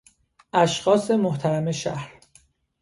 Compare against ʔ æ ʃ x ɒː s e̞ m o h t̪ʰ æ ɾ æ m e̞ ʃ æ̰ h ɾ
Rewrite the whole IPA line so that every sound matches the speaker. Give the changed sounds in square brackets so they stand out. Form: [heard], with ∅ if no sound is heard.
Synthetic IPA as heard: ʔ æ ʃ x ɒː s e̞ m o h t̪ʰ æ ɾ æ m e̞ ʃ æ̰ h ɾ